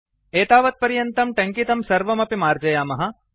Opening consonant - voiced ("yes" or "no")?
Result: no